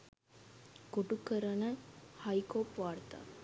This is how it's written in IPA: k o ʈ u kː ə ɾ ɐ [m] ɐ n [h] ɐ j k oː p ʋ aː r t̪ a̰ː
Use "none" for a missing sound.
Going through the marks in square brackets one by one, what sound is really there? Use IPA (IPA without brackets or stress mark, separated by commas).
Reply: n, h